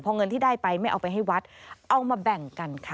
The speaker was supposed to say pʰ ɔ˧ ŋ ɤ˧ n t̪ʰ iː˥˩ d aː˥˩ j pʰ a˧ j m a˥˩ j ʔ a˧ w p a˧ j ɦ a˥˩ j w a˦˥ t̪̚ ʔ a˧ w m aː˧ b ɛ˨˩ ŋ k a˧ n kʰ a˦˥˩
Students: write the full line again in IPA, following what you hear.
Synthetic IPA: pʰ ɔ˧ ŋ ɤ˧ n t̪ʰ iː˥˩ d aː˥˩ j p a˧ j m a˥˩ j ʔ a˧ w p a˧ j ɦ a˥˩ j w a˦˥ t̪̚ ʔ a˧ w m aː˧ b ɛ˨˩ ŋ k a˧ n kʰ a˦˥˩